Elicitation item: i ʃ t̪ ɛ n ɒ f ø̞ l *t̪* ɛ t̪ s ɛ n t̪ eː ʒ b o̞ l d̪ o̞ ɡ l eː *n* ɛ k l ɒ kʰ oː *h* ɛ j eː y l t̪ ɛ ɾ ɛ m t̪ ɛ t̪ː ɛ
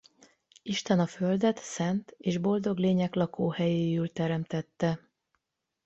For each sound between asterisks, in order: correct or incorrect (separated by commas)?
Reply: incorrect, incorrect, correct